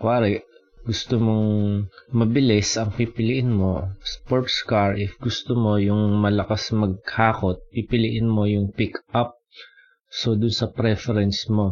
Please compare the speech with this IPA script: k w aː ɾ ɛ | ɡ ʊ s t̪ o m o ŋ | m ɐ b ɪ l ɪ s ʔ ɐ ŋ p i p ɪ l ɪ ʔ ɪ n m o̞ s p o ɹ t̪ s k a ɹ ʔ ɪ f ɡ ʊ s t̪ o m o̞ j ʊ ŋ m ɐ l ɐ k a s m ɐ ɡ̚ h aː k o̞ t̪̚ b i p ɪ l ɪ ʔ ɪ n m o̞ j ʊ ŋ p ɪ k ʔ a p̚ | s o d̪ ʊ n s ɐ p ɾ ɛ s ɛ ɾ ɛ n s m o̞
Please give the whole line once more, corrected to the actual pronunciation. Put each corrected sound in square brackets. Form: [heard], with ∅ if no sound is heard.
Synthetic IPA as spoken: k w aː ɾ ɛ | ɡ ʊ s t̪ o m o ŋ | m ɐ b ɪ l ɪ s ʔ ɐ ŋ p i p ɪ l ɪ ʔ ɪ n m o̞ s p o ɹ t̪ s k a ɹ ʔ ɪ f ɡ ʊ s t̪ o m o̞ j ʊ ŋ m ɐ l ɐ k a s m ɐ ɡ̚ h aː k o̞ t̪̚ [p] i p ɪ l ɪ ʔ ɪ n m o̞ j ʊ ŋ p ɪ k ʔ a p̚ | s o d̪ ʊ n s ɐ p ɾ ɛ [f] ɛ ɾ ɛ n s m o̞